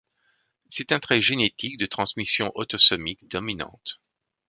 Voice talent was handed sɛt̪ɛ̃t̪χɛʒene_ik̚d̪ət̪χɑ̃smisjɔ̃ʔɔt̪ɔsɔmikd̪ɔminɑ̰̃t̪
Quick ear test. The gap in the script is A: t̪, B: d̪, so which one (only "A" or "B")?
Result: A